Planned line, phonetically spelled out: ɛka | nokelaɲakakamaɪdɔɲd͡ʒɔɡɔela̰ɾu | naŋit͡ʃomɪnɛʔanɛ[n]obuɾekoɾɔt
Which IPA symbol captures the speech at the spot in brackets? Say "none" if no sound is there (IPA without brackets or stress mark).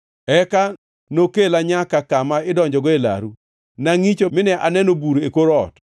n